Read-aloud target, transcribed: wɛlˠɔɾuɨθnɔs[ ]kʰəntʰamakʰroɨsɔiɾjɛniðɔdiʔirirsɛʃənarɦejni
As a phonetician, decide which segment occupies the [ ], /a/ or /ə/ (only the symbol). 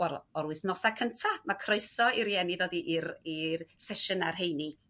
a